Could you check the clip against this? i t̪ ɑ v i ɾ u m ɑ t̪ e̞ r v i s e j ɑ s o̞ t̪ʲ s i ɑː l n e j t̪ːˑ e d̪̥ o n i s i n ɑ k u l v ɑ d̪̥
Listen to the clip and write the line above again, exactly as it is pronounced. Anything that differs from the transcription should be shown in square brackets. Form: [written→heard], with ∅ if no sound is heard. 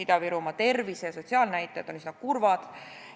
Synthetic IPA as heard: i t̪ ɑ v i ɾ u m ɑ t̪ e̞ r v i s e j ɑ s o̞ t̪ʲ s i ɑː l n [e→æ] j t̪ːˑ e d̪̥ o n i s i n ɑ k u [l→r] v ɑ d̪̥

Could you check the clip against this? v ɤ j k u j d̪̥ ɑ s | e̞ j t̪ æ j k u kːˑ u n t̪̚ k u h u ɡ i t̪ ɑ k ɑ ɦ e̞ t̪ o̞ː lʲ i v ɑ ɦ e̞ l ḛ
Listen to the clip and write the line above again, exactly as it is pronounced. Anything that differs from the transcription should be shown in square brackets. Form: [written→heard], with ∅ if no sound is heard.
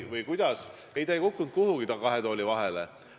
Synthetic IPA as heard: v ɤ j k u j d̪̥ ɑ s | e̞ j t̪ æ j k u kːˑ u n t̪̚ k u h u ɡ i t̪ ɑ k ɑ ɦ e̞ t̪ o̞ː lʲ i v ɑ ɦ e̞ l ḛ

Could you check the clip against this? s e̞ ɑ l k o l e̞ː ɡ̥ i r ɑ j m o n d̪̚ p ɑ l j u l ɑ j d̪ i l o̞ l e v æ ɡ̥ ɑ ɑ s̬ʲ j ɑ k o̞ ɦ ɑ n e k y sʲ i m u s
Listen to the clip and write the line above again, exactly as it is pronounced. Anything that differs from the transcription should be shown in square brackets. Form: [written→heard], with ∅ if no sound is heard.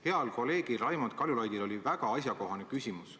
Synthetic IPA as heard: [s→h] e̞ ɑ l k o l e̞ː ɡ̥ i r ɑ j m o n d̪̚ [p→k] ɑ l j u l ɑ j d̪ i l o̞ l [e→i] v æ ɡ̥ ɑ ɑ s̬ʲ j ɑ k o̞ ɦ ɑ n e k y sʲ i m u s

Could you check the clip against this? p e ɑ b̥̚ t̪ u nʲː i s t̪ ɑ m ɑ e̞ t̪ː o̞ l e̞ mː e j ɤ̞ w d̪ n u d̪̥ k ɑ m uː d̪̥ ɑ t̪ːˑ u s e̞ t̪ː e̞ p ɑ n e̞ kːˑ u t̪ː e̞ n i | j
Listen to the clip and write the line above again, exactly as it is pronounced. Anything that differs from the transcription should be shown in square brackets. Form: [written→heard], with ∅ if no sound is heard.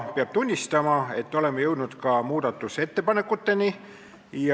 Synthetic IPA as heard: p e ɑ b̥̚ t̪ u nʲː i s t̪ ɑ m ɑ e̞ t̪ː o̞ l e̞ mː e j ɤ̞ w d̪ n u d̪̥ k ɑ m uː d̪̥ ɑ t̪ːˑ u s e̞ t̪ː e̞ p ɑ n e̞ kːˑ u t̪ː e̞ n i | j

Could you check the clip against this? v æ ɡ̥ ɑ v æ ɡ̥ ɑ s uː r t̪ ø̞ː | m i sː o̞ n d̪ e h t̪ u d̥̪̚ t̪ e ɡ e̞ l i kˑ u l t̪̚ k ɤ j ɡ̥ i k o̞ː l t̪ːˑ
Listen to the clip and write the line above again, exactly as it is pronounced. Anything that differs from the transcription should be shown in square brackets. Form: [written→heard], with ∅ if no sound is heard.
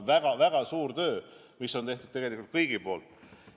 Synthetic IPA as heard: v æ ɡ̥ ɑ v æ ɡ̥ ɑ s uː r t̪ ø̞ː | m i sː o̞ n [d̪→t̪] e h t̪ u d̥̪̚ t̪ e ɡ e̞ l i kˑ u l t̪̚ k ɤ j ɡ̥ i [k→p] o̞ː l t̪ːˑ

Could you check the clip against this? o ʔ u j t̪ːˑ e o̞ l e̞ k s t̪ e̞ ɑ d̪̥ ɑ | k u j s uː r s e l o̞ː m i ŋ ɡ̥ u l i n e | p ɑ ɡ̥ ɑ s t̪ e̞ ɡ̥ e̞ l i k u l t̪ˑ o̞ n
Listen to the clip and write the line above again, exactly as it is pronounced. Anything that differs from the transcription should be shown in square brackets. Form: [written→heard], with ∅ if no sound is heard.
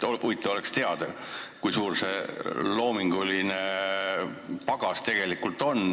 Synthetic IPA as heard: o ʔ u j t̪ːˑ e o̞ l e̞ k s t̪ e̞ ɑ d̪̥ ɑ | k u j s uː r s e l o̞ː m i ŋ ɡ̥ u l i n e | p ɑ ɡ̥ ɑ s t̪ e̞ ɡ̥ e̞ l i k u l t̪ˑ o̞ n

